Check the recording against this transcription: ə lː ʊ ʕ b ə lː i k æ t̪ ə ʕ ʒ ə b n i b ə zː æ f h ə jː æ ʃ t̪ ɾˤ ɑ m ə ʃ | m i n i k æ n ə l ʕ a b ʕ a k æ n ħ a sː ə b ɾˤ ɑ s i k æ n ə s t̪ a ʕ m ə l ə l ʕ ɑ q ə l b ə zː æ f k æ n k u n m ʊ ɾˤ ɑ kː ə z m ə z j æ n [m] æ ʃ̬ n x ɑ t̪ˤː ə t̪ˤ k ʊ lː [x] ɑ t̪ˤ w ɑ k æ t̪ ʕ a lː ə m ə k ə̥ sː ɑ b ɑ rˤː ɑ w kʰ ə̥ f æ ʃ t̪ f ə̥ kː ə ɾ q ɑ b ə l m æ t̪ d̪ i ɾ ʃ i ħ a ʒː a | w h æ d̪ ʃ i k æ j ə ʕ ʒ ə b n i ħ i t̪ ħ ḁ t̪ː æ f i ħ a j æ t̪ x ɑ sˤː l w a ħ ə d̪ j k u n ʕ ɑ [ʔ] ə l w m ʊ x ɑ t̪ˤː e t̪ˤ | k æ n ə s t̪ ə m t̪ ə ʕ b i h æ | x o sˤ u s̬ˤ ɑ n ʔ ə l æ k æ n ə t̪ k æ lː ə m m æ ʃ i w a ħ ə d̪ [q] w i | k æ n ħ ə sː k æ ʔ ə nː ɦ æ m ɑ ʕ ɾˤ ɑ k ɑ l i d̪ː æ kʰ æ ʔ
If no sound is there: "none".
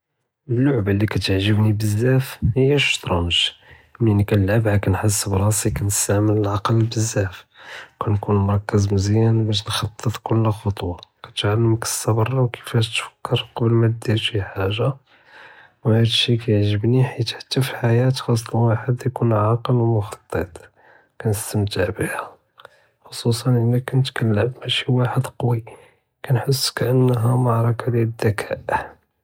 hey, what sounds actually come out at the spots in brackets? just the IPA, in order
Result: b, x, q, q

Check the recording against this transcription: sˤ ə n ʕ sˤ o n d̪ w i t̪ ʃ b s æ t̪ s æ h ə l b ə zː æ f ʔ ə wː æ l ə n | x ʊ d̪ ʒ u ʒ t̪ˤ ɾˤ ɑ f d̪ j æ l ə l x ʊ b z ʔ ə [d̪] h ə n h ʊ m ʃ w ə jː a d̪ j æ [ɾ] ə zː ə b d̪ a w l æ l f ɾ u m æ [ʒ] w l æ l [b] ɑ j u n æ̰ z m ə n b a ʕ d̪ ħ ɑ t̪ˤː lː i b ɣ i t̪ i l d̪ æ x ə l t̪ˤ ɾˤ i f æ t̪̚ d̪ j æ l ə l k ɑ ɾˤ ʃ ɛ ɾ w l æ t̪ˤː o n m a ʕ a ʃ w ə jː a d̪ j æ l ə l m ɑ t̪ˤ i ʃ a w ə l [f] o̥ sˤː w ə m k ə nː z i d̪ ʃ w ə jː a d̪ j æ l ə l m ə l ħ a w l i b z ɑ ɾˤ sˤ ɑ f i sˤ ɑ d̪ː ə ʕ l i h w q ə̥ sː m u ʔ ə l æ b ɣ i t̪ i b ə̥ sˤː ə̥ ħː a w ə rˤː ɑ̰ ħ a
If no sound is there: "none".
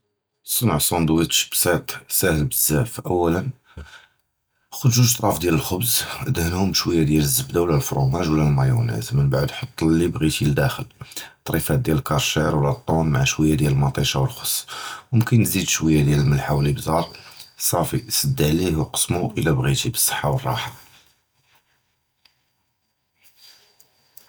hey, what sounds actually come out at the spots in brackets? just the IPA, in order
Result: d̪, l, ʒ, m, x

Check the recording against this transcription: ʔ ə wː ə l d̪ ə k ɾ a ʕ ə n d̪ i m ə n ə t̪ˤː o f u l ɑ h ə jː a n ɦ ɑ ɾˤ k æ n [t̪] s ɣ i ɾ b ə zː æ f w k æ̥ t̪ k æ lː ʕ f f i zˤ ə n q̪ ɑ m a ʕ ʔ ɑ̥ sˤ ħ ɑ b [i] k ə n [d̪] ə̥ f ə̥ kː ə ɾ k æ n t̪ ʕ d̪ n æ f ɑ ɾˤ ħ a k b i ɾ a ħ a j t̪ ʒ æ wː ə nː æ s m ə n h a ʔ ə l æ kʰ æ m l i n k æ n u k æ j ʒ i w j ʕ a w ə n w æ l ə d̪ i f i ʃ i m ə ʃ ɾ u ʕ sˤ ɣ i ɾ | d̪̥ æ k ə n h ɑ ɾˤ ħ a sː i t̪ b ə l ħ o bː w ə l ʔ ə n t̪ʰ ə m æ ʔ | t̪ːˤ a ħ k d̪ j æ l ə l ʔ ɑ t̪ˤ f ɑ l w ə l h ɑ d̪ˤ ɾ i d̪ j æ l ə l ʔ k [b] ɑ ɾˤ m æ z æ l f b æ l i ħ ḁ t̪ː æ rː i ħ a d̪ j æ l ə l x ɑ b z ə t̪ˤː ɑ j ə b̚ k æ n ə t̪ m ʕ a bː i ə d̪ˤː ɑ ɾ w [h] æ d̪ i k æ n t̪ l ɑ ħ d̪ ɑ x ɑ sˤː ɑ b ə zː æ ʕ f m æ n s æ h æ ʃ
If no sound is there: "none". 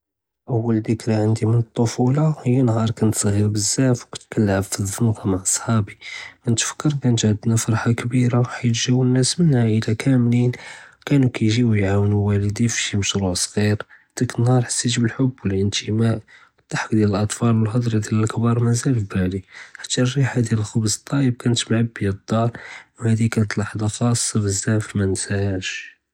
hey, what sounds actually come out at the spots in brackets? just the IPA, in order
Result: t̪, i, t̪, b, h

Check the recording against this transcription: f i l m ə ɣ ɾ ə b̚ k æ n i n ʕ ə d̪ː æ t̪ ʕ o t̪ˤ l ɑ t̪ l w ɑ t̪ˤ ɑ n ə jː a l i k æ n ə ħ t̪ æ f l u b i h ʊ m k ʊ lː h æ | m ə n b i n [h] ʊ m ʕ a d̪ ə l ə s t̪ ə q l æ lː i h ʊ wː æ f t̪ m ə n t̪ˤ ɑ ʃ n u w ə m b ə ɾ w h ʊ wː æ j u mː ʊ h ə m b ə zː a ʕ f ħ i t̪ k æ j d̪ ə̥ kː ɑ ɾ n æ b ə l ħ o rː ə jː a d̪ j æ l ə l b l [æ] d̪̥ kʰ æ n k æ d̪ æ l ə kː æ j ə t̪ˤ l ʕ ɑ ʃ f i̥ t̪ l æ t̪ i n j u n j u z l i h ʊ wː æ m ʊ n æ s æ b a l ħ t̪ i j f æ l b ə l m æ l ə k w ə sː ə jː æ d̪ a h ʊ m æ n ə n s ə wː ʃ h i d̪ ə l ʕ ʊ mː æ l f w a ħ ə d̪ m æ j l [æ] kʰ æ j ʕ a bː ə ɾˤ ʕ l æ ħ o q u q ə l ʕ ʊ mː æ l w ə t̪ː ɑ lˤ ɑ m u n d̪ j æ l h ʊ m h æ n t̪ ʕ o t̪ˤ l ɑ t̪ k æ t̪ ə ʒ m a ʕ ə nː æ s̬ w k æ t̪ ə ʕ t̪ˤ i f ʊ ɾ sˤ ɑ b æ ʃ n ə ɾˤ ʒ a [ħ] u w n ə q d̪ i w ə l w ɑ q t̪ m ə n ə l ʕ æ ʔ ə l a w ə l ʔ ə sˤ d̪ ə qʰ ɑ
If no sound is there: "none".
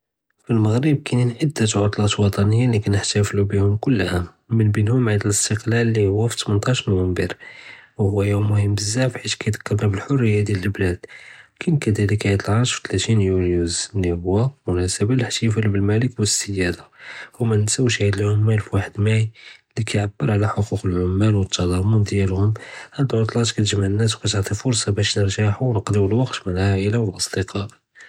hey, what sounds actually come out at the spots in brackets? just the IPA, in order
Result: h, æ, i, ħ

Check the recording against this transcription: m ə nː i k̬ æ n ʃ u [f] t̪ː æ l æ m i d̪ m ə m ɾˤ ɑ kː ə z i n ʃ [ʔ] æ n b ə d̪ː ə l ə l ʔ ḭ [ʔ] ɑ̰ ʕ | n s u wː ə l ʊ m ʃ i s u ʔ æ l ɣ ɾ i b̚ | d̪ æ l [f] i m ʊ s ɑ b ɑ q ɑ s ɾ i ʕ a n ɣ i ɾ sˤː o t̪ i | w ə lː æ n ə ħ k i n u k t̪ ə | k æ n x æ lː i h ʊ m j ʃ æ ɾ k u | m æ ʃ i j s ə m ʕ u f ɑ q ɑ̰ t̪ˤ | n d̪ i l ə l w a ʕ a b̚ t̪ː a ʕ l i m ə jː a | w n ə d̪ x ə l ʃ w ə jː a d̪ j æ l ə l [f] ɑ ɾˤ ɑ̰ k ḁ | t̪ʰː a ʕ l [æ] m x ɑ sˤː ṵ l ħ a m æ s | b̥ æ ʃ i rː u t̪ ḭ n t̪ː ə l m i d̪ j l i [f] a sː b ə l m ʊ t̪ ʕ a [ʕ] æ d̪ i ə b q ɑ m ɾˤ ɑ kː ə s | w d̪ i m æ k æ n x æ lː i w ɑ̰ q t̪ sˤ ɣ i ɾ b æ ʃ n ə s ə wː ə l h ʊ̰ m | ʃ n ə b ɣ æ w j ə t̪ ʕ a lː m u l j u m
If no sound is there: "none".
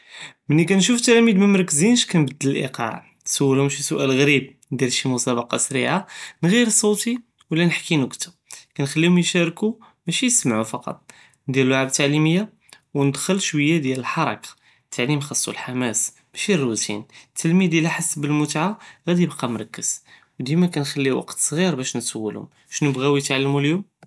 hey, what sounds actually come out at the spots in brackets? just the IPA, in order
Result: f, k, q, ʃ, ħ, i, ħ, ɣ

